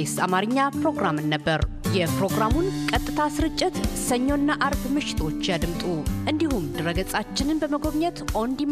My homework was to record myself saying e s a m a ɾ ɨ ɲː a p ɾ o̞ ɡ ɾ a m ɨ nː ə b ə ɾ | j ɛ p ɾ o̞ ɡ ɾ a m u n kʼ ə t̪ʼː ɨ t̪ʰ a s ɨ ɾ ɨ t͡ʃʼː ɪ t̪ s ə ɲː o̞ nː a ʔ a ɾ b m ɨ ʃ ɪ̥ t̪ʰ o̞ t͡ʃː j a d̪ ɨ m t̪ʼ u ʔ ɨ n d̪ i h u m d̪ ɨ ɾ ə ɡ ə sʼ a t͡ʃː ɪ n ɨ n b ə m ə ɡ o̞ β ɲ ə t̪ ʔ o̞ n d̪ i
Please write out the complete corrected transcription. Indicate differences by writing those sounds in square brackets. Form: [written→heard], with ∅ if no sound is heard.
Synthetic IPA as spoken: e s a m a ɾ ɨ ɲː a p ɾ o̞ ɡ ɾ a m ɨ nː ə [b→bː] ə ɾ | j ɛ p ɾ o̞ ɡ ɾ a m u n kʼ ə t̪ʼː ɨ t̪ʰ a s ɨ ɾ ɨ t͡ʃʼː ɪ t̪ s ə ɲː o̞ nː a ʔ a ɾ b m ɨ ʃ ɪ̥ t̪ʰ o̞ t͡ʃː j a d̪ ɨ m t̪ʼ u ʔ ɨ n d̪ i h u m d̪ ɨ ɾ ə ɡ ə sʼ a t͡ʃː ɪ n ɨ n b ə m ə ɡ o̞ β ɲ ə t̪ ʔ o̞ n d̪ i